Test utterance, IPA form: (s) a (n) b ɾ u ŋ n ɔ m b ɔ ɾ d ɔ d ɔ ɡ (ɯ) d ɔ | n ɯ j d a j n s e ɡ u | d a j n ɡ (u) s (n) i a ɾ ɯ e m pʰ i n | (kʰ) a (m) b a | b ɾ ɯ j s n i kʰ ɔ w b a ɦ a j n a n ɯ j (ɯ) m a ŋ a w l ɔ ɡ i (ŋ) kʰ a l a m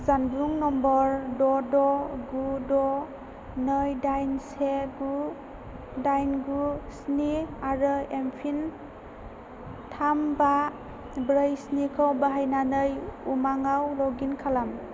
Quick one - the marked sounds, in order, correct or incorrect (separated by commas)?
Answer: incorrect, correct, incorrect, correct, correct, incorrect, correct, incorrect, incorrect